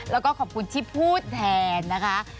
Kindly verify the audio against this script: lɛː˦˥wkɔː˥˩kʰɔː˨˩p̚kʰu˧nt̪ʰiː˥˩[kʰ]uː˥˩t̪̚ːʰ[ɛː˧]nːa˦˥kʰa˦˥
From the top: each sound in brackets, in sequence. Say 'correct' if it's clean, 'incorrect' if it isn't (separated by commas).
incorrect, correct